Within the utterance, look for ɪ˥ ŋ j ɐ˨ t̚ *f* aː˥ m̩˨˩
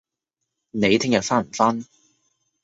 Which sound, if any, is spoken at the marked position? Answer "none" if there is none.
f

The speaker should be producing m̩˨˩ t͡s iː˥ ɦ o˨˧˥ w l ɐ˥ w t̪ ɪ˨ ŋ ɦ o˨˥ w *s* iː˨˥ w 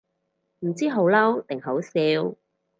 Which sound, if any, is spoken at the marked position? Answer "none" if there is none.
s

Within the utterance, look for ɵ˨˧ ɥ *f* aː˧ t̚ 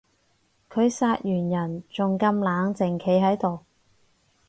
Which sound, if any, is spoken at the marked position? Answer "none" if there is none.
s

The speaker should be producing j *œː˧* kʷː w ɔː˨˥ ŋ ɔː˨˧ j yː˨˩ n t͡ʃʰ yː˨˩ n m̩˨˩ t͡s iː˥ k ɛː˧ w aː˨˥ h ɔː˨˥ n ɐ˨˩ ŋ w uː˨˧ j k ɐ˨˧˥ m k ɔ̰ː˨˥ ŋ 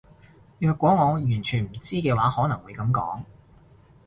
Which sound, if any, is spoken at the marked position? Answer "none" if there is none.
œː˧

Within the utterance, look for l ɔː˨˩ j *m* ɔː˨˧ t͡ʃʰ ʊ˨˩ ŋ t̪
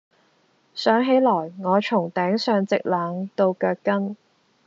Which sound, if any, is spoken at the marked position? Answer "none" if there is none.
ŋ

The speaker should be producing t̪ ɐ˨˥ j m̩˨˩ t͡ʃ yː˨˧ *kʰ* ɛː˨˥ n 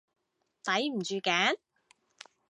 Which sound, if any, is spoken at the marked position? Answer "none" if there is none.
k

